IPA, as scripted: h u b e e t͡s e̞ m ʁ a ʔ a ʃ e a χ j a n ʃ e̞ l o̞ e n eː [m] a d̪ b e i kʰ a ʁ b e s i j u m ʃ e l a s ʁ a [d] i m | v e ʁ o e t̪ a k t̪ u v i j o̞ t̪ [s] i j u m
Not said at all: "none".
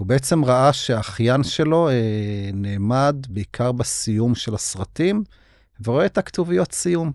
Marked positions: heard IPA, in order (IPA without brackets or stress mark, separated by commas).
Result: m, t, s